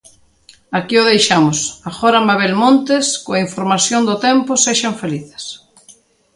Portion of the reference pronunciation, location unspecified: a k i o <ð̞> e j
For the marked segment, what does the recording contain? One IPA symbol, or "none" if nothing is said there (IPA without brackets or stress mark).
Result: ð̞